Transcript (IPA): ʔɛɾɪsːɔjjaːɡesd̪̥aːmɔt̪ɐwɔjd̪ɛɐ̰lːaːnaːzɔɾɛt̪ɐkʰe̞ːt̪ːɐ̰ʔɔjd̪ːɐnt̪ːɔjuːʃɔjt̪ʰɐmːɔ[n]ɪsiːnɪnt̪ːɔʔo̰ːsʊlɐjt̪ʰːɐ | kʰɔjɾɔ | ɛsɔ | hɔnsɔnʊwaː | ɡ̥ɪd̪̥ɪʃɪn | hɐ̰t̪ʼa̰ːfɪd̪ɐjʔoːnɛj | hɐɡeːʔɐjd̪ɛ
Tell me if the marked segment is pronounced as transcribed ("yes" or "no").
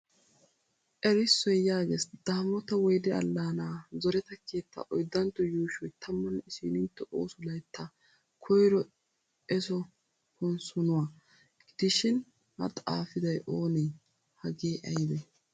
yes